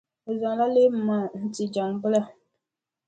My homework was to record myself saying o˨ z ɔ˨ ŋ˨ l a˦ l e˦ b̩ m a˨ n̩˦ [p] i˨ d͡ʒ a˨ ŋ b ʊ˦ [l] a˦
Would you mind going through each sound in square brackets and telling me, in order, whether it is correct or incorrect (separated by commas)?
incorrect, correct